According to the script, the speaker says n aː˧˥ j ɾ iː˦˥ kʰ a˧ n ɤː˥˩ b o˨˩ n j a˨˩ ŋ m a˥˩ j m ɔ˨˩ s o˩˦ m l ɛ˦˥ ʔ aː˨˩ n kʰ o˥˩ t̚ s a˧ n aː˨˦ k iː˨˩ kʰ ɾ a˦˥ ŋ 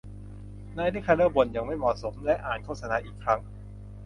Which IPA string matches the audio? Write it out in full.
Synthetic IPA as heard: n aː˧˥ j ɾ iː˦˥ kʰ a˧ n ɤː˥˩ b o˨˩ n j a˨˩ ŋ m a˥˩ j m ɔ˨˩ s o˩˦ m l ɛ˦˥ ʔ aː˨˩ n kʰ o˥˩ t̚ s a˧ n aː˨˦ ʔ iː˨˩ kʰ ɾ a˦˥ ŋ